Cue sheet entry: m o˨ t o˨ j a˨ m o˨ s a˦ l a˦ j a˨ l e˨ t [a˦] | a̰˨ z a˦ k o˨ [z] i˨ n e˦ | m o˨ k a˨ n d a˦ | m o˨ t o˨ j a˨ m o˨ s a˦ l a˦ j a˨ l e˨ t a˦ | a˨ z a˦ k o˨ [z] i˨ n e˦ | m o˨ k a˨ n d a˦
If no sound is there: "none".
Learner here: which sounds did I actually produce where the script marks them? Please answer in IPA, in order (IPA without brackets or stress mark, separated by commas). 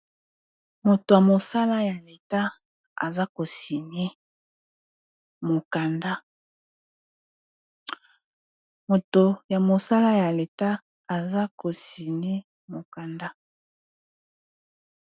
a˦, s, s